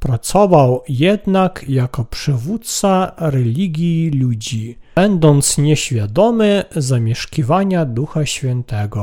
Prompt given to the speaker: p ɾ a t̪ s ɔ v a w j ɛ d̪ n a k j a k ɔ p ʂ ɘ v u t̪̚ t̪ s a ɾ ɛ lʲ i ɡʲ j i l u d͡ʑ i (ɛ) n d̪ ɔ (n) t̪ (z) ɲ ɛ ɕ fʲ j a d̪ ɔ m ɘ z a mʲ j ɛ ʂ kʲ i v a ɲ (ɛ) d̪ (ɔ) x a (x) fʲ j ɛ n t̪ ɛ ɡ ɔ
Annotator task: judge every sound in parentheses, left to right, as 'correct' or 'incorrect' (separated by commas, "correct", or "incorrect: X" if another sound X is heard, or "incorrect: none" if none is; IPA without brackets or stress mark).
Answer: correct, correct, incorrect: s, incorrect: a, incorrect: u, incorrect: ɕ